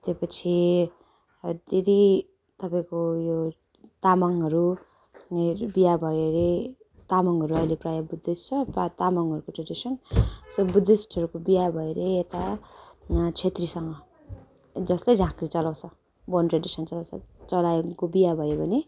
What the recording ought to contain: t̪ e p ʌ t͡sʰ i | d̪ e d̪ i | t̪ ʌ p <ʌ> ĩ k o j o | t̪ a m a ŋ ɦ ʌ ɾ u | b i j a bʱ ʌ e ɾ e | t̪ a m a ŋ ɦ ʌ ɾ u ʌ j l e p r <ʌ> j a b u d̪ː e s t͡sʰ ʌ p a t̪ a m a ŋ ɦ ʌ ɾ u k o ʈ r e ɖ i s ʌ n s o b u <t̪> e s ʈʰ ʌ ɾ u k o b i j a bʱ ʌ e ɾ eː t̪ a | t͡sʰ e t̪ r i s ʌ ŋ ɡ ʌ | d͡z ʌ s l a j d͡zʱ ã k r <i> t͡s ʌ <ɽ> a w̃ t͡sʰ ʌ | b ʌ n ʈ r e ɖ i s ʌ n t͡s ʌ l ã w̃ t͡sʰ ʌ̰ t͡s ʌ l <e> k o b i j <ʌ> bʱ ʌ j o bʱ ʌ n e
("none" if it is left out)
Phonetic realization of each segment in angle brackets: a, a, d̪, i, l, a, a

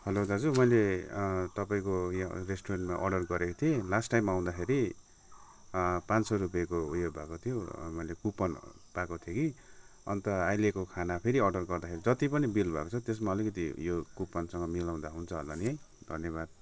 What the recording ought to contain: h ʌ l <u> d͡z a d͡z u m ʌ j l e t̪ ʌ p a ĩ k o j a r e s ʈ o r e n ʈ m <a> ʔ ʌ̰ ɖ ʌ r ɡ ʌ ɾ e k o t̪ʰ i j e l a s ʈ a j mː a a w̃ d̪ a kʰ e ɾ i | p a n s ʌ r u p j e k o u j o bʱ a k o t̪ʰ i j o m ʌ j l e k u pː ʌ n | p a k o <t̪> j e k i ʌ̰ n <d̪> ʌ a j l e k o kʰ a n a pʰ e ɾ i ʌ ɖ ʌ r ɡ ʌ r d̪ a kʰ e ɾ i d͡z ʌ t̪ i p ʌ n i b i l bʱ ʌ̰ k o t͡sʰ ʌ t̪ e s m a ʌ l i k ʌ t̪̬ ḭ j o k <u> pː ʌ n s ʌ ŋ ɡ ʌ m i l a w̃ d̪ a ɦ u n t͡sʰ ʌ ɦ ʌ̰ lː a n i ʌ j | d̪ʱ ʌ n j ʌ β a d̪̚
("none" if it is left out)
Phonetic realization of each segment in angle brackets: o, a, t̪ʰ, t̪, u

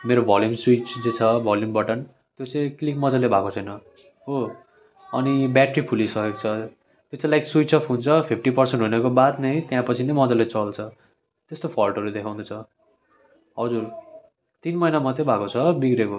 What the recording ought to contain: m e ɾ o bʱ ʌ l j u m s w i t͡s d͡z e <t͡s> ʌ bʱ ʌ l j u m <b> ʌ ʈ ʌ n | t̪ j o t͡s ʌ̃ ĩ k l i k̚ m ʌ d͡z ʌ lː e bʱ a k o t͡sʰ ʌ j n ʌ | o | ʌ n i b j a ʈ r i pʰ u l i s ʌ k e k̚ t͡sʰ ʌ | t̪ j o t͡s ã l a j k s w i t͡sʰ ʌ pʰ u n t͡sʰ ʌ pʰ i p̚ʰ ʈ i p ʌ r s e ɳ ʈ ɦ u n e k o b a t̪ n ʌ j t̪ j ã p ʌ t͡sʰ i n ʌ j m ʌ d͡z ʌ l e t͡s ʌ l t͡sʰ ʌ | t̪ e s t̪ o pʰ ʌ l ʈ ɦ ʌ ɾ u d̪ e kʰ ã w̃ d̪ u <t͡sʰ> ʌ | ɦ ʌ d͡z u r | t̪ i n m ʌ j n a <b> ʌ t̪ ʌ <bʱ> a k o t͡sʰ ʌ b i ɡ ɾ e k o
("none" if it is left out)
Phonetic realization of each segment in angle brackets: t͡sʰ, b, t͡sʰ, m, bʱ

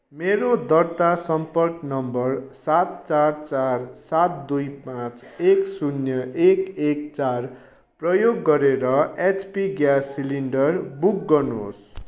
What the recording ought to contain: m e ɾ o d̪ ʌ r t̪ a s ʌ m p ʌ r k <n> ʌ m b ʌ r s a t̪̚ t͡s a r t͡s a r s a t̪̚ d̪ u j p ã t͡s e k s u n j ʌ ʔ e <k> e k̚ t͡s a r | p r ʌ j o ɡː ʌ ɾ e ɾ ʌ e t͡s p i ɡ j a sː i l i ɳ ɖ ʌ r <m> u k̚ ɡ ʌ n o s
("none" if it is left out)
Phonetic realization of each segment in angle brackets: n, k, b

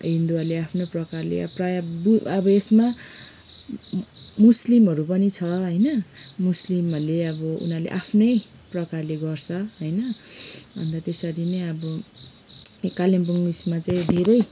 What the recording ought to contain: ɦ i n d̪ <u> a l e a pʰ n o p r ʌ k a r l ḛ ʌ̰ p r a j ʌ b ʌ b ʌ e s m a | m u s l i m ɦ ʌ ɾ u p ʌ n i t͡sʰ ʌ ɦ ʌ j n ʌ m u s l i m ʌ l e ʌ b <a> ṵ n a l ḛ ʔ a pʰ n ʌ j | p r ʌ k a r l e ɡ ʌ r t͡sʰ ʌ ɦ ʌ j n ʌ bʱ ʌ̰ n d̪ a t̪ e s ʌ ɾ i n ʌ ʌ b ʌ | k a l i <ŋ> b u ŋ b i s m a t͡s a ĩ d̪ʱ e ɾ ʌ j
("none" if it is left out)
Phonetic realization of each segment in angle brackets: u, ʌ, m

